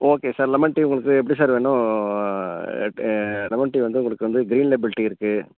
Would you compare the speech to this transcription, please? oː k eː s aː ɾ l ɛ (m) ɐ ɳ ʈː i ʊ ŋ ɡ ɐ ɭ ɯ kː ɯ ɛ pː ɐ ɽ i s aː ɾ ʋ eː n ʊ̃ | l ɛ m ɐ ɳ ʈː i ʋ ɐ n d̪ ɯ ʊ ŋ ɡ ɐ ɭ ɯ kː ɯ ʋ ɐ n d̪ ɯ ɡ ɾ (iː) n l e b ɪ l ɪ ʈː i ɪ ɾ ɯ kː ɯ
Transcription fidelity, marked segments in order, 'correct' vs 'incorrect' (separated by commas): correct, correct